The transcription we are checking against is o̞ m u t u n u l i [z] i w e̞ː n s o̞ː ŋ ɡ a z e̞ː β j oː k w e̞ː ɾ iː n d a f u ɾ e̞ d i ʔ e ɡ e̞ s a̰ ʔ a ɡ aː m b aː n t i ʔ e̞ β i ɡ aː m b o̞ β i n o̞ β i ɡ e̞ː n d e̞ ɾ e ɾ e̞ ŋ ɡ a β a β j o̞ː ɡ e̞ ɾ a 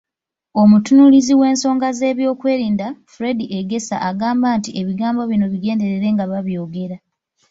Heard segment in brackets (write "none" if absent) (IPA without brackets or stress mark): z